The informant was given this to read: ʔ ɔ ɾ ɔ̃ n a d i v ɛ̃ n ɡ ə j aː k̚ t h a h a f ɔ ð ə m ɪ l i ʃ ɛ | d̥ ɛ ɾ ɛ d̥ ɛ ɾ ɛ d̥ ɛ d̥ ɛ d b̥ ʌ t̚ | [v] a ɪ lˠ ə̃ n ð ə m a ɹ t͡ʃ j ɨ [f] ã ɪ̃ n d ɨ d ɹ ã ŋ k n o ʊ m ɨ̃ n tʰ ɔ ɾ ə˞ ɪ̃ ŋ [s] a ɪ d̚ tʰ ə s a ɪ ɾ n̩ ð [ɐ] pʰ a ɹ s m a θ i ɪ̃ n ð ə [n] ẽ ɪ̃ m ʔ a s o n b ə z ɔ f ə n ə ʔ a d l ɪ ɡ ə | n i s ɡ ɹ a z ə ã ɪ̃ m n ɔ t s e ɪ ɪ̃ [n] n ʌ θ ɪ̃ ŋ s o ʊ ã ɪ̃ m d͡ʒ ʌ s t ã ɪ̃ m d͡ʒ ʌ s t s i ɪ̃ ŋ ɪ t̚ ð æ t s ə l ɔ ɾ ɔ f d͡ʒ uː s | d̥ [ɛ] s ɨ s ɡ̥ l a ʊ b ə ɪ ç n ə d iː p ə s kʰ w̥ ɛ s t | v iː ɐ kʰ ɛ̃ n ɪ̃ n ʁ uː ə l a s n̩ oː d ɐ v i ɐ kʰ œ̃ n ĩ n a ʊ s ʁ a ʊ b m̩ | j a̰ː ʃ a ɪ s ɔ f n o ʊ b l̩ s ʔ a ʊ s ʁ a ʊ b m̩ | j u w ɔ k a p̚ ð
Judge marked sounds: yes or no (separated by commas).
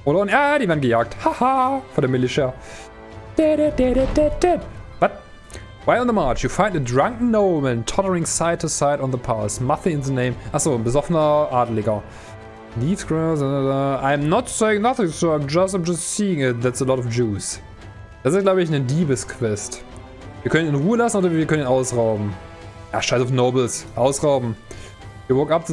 no, yes, yes, no, yes, no, no